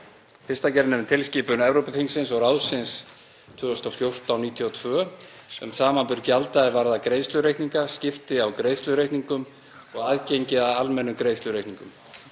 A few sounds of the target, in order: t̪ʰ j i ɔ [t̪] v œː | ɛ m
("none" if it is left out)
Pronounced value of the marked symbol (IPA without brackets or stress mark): t̪ʰ